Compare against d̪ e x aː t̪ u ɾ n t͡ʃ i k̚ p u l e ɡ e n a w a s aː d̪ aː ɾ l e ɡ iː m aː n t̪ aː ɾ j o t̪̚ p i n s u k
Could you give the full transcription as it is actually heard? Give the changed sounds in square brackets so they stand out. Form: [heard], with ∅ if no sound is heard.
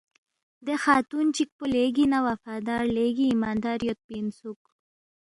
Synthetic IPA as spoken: d̪ e x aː t̪ u [∅] n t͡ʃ i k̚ p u l e ɡ [i] n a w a [f] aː d̪ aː ɾ l e ɡ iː m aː n [d̪] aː ɾ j o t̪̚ p i n s u k